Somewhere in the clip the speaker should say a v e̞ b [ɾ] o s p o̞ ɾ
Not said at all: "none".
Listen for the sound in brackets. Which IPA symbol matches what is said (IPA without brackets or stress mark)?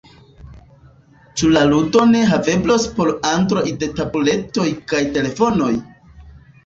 l